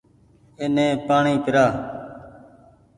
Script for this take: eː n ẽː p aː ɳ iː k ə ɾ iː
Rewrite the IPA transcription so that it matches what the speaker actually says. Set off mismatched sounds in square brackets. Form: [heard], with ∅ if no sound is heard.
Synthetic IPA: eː n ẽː p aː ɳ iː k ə ɾ [aː]